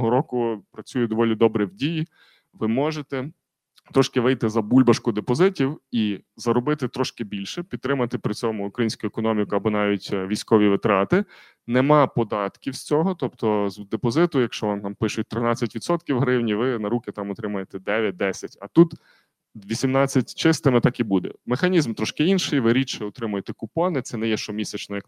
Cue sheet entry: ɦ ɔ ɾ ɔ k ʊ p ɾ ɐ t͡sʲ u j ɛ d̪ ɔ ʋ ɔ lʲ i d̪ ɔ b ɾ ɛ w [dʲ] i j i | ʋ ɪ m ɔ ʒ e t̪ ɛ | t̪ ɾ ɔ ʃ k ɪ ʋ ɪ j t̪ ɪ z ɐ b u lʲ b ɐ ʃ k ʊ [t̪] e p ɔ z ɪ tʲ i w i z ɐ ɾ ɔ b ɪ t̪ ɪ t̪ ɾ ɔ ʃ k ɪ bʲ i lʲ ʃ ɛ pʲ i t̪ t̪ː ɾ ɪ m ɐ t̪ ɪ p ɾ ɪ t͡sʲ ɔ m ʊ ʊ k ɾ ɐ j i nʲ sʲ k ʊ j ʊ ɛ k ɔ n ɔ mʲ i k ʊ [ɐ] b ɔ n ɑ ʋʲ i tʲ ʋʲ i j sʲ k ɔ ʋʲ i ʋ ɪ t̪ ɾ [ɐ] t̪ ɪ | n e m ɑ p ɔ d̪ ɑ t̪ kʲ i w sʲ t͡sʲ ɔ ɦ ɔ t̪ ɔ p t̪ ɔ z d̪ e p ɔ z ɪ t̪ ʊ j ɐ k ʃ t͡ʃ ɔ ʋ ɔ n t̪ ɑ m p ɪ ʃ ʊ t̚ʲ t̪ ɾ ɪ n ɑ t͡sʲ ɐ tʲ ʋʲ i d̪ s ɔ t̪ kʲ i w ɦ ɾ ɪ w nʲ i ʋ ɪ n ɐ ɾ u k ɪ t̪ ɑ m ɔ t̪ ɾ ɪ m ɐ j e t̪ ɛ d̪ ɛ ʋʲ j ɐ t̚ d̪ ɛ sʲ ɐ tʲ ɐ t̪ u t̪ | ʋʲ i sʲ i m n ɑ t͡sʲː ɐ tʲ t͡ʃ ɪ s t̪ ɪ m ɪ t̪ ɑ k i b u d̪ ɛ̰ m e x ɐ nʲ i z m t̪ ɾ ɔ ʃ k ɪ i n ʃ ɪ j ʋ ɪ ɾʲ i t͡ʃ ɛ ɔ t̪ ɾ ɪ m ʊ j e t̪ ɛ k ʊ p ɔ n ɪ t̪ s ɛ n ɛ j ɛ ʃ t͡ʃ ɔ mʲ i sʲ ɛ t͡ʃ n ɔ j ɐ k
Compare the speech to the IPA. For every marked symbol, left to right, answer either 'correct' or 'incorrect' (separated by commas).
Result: correct, incorrect, correct, incorrect